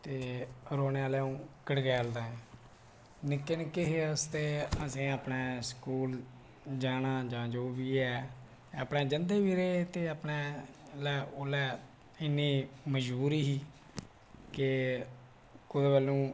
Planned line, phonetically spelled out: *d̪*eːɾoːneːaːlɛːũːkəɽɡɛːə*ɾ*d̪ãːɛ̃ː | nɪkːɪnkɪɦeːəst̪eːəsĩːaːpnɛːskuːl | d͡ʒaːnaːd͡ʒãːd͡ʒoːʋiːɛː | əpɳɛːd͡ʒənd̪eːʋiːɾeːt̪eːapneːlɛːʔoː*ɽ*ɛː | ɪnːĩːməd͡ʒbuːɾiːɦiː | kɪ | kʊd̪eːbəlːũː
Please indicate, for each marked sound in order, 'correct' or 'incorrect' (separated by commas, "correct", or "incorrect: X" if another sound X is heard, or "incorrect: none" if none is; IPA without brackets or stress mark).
incorrect: t̪, incorrect: l, incorrect: l